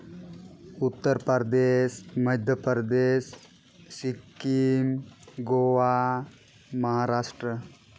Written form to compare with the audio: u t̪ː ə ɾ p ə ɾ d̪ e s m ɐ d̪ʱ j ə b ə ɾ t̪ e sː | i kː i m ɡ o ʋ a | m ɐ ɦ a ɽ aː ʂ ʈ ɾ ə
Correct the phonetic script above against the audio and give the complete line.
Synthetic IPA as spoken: u t̪ː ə ɾ p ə ɾ d̪ e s m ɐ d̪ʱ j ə p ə ɾ d̪ e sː | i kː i m ɡ o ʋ a | m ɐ ɦ a ɾ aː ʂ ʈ ɾ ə